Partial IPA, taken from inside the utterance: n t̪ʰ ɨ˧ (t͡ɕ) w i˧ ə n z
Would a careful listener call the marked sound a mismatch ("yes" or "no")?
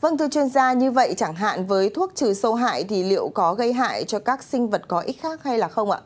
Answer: no